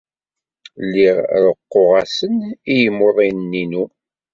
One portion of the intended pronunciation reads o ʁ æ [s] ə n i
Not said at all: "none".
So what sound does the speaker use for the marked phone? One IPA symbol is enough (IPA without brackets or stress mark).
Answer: s